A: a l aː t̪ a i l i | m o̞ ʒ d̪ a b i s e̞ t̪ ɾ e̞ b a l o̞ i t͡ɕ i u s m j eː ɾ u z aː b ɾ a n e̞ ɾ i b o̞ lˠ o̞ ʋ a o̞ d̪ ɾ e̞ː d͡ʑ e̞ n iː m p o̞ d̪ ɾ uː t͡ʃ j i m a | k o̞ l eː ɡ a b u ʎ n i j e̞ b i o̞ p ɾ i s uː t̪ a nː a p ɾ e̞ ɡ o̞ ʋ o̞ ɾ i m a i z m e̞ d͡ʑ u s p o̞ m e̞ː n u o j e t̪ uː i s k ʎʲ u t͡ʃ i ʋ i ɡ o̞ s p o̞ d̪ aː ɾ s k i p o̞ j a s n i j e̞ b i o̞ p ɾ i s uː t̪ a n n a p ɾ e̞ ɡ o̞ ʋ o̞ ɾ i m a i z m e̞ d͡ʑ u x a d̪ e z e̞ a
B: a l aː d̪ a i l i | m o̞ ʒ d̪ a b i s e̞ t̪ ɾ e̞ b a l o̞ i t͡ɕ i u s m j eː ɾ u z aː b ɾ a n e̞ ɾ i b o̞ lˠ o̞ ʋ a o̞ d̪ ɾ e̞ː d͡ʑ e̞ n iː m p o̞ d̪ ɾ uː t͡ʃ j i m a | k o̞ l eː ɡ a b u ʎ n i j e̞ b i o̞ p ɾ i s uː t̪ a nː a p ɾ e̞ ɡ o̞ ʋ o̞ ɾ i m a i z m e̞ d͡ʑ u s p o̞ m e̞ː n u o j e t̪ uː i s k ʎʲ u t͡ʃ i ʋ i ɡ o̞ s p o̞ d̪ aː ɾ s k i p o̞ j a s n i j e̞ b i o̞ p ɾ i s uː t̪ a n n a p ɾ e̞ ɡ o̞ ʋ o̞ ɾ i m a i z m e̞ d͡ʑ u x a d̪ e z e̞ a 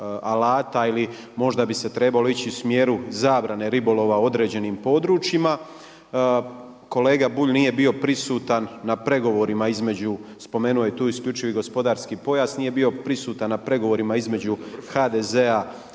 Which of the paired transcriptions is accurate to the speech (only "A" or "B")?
A